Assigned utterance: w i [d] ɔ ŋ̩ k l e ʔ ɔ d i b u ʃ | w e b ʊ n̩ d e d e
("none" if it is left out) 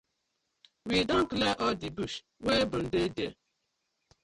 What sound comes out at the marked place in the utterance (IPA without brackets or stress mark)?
d